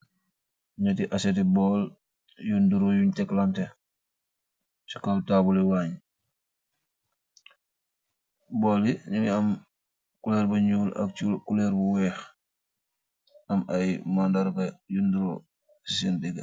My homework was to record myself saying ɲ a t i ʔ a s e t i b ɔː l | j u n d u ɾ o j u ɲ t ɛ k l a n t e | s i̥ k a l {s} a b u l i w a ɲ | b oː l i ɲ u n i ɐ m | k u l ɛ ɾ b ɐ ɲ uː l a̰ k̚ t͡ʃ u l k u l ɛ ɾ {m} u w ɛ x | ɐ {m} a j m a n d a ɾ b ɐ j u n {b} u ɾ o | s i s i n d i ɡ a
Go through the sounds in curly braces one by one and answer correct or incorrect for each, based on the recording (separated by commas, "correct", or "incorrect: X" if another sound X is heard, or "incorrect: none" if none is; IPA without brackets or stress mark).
incorrect: t, incorrect: b, correct, incorrect: d